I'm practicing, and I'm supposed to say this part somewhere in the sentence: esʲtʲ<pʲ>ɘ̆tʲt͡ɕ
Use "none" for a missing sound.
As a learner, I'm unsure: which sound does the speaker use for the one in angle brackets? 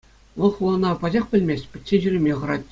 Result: pʲ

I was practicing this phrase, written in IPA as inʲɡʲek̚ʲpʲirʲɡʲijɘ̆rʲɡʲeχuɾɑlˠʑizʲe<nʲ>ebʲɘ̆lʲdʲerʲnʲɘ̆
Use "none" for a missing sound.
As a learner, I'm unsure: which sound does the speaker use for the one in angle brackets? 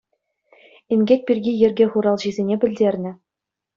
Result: nʲ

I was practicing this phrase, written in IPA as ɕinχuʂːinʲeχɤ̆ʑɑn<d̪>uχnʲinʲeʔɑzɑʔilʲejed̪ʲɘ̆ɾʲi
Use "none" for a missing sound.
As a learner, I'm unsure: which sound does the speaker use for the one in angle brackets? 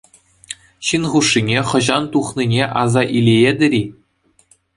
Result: t̪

